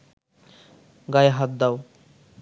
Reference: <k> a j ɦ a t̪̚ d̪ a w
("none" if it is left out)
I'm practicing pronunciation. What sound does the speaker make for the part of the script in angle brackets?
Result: ɡ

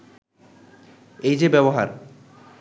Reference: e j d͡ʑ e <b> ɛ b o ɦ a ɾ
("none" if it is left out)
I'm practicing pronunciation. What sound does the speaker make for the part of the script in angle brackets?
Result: b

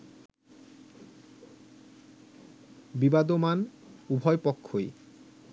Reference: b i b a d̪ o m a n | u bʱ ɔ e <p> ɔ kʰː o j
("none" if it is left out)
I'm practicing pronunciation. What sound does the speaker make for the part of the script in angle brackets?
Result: p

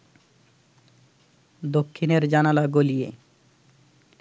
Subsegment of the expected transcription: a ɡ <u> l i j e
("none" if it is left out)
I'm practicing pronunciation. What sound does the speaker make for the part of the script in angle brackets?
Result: o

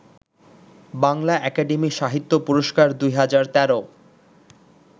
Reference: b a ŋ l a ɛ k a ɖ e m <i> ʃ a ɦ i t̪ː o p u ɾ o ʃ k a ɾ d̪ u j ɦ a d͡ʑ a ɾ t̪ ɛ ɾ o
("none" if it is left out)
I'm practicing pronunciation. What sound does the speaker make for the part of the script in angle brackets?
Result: i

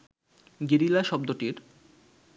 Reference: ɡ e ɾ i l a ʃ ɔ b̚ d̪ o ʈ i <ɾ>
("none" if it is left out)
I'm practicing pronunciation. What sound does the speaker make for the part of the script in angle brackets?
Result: ɾ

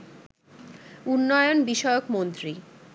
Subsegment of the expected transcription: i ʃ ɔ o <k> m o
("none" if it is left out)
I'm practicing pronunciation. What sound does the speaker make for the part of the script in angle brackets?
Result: k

